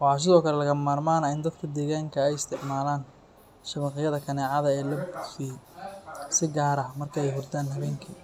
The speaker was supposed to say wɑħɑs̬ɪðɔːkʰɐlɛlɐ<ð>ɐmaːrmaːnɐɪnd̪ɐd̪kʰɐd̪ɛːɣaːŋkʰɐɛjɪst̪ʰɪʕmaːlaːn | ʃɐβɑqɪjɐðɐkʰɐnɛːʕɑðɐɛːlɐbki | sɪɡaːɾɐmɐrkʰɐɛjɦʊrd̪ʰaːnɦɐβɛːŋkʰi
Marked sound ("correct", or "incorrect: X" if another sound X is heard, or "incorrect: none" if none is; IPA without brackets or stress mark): incorrect: ɣ